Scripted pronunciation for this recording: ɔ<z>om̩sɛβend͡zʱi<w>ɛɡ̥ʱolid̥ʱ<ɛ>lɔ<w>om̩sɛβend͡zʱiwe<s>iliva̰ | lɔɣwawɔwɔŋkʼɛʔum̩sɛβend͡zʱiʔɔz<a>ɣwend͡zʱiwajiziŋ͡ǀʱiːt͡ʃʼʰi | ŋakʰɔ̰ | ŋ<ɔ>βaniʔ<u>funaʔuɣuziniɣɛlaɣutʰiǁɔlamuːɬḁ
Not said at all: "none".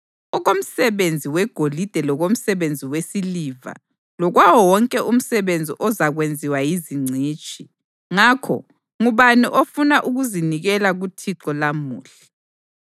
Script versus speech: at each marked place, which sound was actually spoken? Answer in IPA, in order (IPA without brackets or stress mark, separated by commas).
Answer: ɣ, w, ɛ, ɣ, s, a, u, o